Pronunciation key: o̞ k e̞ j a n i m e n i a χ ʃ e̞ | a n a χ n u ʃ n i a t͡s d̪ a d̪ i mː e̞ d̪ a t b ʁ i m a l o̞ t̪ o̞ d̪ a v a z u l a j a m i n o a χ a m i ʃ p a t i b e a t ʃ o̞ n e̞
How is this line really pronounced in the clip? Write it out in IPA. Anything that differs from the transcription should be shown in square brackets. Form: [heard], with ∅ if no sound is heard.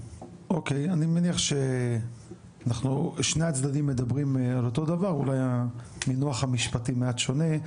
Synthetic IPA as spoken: o̞ k e̞ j a n i m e n i a χ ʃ e̞ | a n a χ n u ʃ n [e] a t͡s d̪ a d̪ i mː e̞ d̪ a [∅] b ʁ i m a l o̞ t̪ o̞ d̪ a v a [ʁ] u l a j a m i n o a χ a m i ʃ p a t i [m] e a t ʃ o̞ n e̞